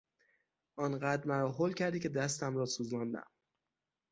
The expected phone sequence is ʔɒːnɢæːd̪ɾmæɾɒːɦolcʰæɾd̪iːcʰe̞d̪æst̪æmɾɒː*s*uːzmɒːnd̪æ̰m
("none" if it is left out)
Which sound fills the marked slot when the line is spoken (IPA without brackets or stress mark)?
s